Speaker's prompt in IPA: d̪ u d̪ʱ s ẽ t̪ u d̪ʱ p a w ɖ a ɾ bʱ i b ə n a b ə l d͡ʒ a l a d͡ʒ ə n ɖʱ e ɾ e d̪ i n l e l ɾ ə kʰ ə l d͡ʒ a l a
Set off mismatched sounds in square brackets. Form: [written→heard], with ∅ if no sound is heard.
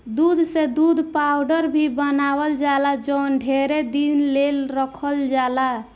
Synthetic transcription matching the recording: d̪ u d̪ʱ s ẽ [t̪→d̪] u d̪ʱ p a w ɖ [a→ə] ɾ bʱ i b ə n a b ə l d͡ʒ a l a d͡ʒ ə n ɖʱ e ɾ e d̪ i n l e l ɾ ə kʰ ə l d͡ʒ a l a